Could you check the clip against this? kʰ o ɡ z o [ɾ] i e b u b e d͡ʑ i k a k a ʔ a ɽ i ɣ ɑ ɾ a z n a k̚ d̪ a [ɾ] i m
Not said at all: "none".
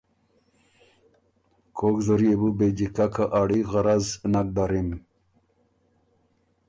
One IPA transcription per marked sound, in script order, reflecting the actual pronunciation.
ɾ, ɾ

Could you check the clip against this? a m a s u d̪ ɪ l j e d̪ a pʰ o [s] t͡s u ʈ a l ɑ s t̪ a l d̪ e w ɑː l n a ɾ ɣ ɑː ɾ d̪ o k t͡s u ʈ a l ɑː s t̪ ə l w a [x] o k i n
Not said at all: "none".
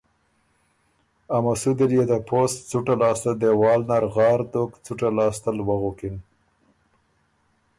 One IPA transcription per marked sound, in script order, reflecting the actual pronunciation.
s, ɣ

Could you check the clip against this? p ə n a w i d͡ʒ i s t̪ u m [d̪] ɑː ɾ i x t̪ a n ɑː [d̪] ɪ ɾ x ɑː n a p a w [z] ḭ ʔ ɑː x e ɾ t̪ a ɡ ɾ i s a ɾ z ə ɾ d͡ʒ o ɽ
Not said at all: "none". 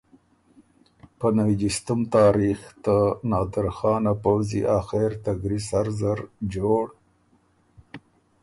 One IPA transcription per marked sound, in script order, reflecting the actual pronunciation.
t̪, d̪, z

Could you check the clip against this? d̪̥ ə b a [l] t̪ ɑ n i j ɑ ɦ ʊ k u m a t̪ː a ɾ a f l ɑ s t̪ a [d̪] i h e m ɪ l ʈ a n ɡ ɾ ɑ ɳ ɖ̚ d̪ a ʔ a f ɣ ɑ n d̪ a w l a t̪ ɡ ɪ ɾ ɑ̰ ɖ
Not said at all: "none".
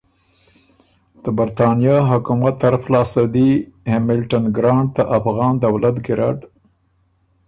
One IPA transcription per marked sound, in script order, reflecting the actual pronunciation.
ɾ, d̪

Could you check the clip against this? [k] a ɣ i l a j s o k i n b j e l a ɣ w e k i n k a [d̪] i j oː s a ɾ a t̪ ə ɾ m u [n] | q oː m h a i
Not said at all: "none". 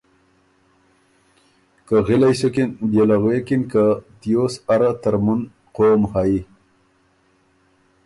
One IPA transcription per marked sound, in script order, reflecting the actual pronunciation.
k, t̪, n

